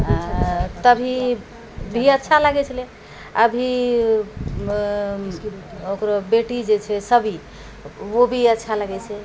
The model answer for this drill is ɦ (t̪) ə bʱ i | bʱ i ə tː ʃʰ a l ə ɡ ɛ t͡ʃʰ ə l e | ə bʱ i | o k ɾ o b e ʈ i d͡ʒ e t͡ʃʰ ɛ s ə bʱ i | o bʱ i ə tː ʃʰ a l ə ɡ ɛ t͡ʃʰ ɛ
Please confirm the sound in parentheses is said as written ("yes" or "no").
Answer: yes